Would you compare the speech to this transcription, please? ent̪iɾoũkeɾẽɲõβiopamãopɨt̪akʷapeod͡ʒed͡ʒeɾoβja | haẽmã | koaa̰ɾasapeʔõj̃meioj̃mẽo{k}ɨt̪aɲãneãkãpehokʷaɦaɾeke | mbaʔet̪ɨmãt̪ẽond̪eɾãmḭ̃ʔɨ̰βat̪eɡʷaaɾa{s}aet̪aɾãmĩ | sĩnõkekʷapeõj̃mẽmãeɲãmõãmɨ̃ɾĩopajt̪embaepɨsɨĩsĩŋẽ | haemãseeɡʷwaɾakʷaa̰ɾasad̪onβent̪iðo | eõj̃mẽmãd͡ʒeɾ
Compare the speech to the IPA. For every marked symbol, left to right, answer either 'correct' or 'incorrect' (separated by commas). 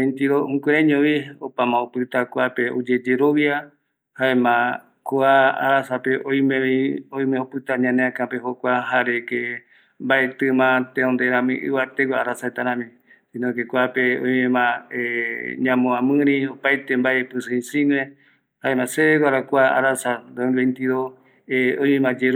incorrect, correct